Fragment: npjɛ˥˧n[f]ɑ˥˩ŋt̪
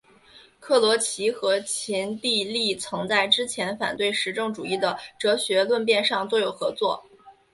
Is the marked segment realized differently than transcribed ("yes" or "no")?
yes